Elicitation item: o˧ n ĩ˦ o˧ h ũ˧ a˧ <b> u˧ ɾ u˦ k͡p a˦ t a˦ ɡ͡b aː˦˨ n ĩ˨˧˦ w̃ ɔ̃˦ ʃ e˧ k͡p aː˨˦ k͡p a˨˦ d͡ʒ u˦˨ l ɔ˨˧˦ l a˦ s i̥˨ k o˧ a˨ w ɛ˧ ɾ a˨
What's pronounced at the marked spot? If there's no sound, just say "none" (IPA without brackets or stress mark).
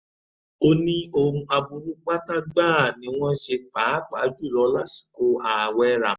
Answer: b